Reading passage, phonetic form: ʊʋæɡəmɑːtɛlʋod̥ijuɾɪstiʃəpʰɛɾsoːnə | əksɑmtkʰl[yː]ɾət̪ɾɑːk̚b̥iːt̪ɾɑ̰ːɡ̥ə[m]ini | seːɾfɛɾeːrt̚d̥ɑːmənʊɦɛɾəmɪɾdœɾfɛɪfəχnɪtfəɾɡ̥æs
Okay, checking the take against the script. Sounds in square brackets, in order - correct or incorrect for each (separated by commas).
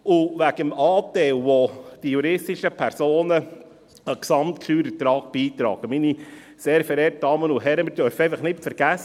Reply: correct, correct